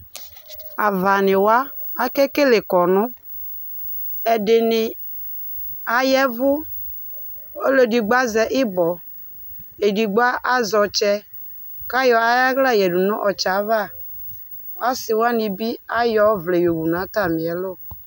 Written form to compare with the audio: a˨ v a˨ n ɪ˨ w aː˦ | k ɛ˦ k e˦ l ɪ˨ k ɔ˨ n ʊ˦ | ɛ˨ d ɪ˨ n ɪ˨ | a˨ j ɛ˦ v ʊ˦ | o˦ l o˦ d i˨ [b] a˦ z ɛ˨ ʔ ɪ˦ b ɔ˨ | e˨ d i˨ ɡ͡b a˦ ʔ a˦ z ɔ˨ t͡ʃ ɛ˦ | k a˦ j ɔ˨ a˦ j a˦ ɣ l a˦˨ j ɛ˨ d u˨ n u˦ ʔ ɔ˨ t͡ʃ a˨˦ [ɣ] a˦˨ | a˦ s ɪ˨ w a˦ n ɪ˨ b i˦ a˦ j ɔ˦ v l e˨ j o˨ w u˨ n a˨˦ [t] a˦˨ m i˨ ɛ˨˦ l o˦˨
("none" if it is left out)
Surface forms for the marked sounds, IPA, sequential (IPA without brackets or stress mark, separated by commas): ɡ͡b, v, t